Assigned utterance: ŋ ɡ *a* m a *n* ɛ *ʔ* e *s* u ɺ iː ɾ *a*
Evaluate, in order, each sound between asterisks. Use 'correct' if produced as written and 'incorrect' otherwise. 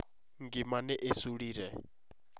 incorrect: i, correct, correct, correct, incorrect: ɛ

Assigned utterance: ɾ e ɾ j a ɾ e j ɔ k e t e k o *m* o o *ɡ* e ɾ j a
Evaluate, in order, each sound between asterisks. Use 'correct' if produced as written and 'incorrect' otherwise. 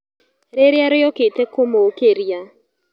correct, incorrect: k

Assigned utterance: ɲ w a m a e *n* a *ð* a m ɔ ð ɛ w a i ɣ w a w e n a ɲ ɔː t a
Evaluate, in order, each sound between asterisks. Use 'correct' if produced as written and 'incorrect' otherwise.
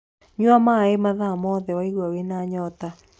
incorrect: m, correct

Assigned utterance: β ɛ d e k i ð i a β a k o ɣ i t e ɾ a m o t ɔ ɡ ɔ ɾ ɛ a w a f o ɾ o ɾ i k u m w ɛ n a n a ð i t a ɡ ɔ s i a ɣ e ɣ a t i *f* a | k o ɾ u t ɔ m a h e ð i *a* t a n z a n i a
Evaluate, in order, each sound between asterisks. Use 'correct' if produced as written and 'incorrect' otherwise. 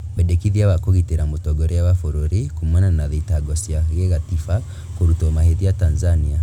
correct, correct

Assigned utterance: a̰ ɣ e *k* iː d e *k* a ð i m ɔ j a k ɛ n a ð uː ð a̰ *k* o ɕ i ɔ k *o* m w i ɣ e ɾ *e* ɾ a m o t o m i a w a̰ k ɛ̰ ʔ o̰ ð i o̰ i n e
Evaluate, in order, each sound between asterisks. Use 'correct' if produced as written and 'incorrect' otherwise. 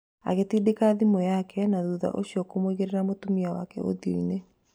incorrect: t, correct, incorrect: ʔ, correct, correct

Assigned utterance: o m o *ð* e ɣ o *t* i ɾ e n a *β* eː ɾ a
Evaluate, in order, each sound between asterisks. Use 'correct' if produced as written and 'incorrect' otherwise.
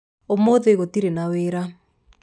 correct, correct, incorrect: w

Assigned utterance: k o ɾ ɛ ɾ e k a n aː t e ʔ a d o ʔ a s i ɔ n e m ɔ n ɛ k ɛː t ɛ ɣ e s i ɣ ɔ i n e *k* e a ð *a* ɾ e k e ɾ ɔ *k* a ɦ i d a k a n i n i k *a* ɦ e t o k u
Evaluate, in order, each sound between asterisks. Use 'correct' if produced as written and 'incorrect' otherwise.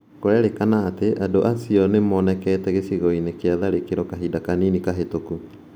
correct, correct, correct, correct

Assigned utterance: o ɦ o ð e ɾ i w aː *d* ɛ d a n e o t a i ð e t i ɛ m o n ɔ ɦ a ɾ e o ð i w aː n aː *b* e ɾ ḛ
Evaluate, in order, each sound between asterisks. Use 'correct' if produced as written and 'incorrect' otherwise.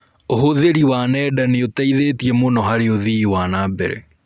incorrect: n, correct

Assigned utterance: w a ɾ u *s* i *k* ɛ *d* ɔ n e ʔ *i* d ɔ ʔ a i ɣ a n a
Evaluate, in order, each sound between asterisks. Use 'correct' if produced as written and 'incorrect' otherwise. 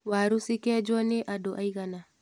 correct, correct, incorrect: d͡ʒ, incorrect: a

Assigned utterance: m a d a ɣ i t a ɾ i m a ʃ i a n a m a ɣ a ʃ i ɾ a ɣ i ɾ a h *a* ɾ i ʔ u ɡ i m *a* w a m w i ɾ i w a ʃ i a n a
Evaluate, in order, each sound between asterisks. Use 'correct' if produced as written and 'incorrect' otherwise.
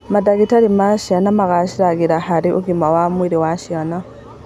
correct, correct

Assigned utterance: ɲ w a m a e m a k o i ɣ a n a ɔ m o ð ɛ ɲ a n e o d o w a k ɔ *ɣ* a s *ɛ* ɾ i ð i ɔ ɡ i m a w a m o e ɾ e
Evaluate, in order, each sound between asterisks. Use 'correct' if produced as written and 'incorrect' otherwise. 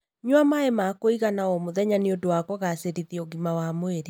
correct, incorrect: e

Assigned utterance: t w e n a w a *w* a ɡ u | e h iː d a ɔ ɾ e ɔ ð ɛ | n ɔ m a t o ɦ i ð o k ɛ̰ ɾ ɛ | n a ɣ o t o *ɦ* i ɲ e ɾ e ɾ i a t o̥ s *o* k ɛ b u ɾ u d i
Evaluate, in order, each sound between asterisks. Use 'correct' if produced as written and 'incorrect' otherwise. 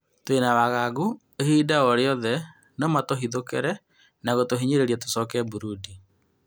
incorrect: ɣ, correct, incorrect: ɔ

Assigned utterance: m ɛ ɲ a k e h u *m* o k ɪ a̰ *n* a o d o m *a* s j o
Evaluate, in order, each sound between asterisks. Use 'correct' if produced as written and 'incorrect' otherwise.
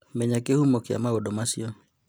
correct, incorrect: m, correct

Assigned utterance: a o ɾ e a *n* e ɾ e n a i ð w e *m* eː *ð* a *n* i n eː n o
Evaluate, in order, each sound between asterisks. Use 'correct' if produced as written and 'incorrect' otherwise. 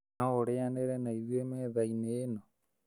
correct, correct, correct, incorrect: none

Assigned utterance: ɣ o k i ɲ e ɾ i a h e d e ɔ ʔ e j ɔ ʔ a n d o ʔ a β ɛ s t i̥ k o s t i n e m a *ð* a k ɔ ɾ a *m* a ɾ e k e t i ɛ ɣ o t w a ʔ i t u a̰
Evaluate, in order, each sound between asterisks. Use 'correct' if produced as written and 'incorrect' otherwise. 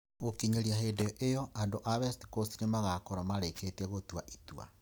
incorrect: ɣ, correct

